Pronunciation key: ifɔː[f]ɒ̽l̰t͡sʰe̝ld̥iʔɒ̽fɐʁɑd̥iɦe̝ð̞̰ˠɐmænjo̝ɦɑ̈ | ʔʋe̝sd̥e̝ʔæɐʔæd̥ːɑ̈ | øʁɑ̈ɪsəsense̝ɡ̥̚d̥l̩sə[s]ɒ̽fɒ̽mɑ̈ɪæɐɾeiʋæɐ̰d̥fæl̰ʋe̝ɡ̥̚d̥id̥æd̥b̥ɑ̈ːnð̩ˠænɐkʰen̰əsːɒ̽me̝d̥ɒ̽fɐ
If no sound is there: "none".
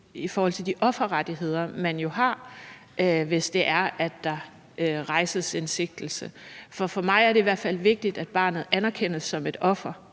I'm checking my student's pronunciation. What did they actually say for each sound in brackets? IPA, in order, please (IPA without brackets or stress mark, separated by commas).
h, f